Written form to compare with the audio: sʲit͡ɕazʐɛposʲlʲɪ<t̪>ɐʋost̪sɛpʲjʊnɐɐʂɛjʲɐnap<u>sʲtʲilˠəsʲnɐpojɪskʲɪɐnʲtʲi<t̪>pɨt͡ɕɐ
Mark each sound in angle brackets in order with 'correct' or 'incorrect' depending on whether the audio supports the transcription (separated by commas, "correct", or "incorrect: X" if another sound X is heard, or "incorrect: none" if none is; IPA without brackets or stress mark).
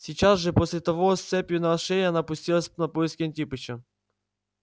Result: correct, incorrect: ʊ, incorrect: none